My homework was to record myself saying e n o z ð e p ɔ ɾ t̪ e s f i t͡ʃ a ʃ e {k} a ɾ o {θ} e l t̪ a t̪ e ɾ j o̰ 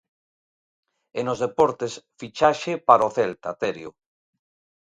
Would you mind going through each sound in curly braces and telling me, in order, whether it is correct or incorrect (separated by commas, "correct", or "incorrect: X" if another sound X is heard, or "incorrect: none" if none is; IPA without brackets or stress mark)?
incorrect: p, correct